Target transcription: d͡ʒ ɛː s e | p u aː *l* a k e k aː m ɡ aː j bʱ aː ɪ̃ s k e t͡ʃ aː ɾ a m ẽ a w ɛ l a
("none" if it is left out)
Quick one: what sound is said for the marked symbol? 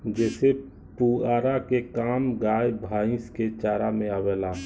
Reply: ɾ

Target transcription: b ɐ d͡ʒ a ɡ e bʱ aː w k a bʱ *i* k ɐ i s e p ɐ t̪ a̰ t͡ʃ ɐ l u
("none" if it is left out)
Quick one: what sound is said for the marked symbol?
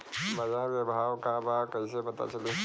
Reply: a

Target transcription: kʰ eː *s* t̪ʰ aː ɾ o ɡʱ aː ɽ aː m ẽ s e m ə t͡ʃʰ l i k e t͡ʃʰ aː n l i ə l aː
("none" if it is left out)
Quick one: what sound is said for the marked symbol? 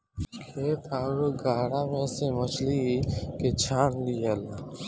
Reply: none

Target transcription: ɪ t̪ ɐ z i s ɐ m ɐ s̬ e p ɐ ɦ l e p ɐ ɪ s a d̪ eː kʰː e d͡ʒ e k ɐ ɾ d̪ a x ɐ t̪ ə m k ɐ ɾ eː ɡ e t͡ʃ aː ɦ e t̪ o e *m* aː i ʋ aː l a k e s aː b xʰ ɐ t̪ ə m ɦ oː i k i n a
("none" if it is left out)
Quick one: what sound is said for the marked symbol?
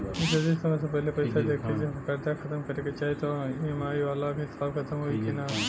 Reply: m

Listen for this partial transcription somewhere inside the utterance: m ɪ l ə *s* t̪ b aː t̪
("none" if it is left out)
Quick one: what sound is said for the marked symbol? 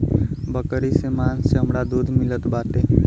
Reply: none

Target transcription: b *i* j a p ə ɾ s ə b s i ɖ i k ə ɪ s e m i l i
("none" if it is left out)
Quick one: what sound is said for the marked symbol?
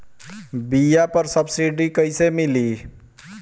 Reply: i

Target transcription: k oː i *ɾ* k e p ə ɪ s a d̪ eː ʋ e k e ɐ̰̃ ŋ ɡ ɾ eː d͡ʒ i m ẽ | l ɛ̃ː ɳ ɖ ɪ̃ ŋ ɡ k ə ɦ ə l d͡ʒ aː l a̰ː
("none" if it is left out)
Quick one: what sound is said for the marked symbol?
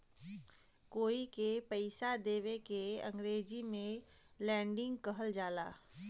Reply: none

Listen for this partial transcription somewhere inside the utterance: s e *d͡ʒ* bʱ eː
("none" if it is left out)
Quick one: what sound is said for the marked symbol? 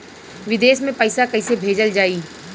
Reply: none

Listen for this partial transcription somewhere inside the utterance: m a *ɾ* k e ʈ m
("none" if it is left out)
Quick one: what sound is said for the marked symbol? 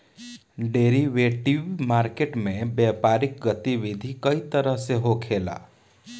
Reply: ɾ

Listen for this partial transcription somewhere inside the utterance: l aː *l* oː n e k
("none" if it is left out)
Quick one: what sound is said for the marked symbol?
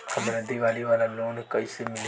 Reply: l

